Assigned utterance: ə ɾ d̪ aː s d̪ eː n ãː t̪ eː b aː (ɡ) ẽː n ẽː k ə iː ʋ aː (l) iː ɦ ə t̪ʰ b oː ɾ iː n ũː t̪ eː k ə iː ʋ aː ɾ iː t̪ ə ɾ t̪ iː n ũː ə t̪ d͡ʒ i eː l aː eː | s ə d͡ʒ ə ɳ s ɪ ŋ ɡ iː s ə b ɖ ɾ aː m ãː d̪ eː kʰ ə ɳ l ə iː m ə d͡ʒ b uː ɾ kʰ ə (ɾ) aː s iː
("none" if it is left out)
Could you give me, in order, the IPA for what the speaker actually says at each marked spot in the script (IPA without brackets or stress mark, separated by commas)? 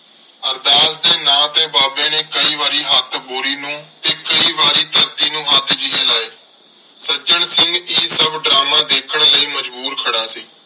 b, ɾ, ɽ